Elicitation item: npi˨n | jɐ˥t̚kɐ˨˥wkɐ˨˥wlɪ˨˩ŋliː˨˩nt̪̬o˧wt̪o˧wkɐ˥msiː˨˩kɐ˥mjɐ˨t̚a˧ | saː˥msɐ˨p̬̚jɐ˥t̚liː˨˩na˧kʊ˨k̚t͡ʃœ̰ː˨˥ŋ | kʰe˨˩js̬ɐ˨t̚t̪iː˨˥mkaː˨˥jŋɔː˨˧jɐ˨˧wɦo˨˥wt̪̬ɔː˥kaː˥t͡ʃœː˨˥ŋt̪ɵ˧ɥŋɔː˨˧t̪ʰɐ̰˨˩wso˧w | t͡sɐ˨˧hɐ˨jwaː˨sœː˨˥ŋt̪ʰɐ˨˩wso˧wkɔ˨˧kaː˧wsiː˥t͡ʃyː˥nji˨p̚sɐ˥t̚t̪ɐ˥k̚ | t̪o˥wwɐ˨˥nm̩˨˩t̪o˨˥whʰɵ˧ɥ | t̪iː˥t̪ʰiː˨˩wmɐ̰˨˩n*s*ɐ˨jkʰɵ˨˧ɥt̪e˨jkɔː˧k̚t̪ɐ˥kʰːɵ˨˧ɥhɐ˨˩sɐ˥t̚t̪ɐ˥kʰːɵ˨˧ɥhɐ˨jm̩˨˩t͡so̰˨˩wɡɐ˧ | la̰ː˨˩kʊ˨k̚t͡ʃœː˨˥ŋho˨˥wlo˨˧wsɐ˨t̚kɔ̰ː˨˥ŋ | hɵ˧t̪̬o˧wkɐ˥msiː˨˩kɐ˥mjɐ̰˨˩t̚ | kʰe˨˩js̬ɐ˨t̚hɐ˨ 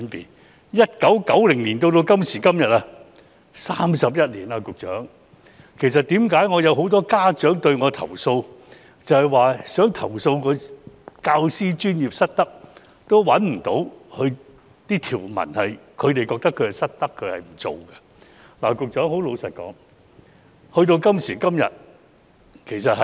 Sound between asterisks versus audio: incorrect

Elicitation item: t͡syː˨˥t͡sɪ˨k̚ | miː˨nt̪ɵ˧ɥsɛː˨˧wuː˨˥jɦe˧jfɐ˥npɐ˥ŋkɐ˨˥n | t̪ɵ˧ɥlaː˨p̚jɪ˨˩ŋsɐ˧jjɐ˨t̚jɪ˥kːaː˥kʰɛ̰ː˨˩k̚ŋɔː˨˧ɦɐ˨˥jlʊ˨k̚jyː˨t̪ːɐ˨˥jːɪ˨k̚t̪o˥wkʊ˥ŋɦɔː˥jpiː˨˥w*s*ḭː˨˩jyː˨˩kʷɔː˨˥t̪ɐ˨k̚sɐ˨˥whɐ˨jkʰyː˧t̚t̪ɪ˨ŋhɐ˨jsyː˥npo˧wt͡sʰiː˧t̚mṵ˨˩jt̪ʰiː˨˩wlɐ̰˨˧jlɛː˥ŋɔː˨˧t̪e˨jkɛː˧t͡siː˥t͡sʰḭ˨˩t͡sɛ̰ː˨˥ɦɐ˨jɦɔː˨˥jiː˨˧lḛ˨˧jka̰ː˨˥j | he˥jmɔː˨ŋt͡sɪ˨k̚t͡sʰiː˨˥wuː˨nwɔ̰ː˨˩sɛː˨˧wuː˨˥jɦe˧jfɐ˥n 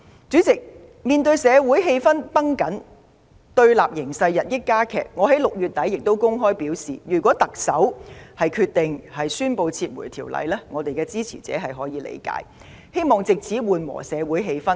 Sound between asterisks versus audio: correct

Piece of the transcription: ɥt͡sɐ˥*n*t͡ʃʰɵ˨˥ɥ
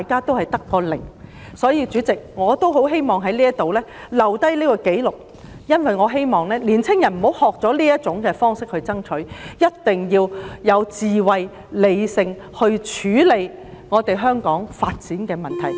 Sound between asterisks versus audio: incorrect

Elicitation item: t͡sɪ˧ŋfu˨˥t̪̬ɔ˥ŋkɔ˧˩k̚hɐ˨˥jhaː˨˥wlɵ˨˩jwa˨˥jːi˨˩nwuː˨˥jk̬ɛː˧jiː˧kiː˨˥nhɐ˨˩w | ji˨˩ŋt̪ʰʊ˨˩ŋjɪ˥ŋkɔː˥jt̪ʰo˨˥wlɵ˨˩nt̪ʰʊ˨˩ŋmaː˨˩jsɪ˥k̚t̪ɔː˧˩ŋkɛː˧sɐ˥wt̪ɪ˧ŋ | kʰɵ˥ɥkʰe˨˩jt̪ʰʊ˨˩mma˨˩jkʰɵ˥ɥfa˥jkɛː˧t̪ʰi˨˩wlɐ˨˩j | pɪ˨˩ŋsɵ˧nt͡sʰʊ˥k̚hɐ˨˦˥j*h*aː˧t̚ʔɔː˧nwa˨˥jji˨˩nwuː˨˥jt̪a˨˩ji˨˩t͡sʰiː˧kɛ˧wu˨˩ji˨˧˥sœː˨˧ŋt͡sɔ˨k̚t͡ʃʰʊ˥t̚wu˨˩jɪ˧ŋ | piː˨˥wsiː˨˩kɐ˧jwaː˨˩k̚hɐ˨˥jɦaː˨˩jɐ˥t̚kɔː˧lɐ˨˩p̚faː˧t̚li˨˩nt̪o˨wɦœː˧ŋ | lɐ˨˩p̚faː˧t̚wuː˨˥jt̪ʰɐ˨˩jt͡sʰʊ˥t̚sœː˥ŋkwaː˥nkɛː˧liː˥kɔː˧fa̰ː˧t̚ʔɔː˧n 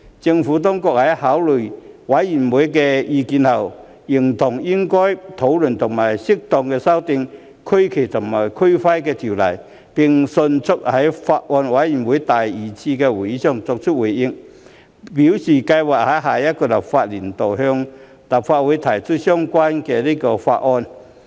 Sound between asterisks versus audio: incorrect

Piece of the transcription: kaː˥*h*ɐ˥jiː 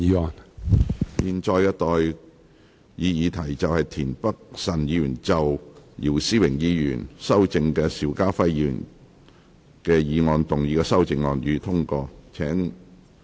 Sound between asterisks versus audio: incorrect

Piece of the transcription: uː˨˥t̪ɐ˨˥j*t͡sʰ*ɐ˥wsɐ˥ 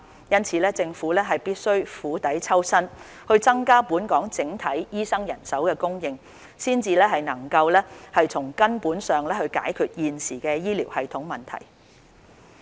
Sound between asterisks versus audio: correct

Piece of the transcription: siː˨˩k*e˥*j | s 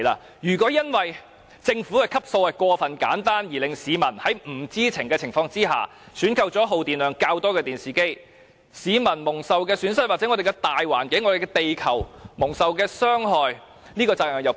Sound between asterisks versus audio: correct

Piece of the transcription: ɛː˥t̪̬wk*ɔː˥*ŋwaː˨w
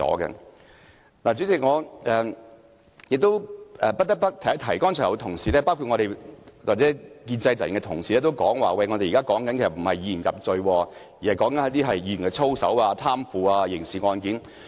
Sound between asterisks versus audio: incorrect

